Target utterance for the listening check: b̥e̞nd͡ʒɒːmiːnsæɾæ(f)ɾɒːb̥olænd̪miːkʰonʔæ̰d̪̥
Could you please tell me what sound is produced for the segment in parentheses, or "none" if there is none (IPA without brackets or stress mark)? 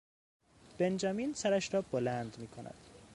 ʃ